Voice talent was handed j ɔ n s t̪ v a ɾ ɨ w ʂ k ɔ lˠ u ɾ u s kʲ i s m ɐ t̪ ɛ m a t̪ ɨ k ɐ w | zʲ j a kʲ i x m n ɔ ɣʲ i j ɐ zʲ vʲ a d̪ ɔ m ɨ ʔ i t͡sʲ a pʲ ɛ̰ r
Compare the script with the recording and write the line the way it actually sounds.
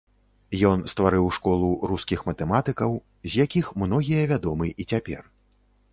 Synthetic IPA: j ɔ n s t̪ v a ɾ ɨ w ʂ k ɔ lˠ u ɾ u s kʲ i x m ɐ t̪ ɛ m a t̪ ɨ k ɐ w | zʲ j a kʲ i x m n ɔ ɣʲ i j ɐ vʲ a d̪ ɔ m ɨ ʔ i t͡sʲ a pʲ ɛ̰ r